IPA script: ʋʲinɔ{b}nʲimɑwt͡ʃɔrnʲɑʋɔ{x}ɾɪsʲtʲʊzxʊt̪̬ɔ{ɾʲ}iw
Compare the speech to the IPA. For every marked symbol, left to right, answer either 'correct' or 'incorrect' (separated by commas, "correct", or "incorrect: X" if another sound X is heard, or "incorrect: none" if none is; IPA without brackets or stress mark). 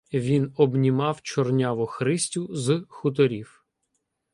correct, correct, correct